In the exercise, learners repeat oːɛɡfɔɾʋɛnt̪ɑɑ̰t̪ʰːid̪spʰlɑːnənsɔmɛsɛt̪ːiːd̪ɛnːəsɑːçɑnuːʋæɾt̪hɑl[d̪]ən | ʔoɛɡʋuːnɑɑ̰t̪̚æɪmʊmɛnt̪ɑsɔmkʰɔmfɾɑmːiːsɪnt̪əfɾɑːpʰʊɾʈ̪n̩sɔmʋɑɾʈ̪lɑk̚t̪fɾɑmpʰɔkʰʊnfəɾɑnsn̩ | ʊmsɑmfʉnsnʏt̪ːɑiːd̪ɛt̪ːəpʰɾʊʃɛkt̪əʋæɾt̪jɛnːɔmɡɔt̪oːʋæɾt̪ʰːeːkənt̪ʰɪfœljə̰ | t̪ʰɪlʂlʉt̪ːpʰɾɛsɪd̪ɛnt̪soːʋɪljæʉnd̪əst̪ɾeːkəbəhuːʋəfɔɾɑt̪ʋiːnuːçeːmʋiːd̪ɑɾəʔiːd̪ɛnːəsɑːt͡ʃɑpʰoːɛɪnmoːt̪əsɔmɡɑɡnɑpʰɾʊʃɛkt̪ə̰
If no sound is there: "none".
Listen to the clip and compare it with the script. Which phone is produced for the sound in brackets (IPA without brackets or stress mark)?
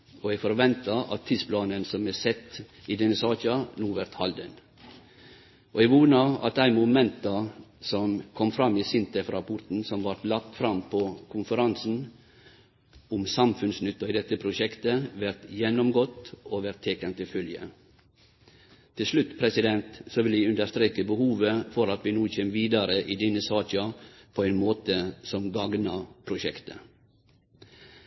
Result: d̪